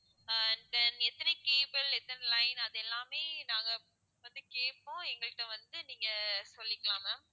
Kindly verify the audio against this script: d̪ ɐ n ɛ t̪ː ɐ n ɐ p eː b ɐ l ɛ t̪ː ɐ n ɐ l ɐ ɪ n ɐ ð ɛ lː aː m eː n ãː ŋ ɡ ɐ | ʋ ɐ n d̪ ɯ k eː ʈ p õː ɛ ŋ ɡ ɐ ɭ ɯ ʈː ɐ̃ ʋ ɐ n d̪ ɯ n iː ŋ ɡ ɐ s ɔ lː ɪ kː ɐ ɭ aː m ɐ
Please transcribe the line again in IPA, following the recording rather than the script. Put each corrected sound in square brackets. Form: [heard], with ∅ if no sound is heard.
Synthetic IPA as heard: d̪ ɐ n ɛ t̪ː ɐ n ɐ [k] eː b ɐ l ɛ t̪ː ɐ n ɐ l ɐ ɪ n ɐ ð ɛ lː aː m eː n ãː ŋ ɡ ɐ | ʋ ɐ n d̪ ɯ k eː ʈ p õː ɛ ŋ ɡ ɐ ɭ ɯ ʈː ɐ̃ ʋ ɐ n d̪ ɯ n iː ŋ ɡ ɐ s ɔ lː ɪ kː ɐ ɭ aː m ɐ